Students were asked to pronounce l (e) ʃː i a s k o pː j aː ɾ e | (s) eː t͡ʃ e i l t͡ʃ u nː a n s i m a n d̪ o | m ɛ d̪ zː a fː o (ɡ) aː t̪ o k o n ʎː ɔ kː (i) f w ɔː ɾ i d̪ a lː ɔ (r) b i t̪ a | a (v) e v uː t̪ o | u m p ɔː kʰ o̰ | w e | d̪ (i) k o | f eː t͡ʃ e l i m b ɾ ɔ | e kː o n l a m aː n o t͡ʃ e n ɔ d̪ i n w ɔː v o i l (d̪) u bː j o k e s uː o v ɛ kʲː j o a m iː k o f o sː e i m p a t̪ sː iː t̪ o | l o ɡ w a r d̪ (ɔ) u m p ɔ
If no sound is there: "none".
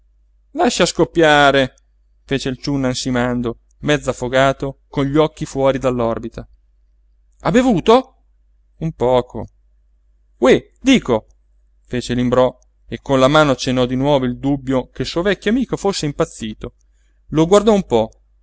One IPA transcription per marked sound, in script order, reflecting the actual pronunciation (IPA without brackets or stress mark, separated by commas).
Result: a, f, ɡ, i, r, b, iː, d̪, ɔ